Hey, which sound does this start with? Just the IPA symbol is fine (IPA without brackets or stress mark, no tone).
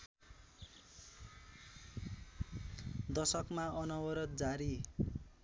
d̪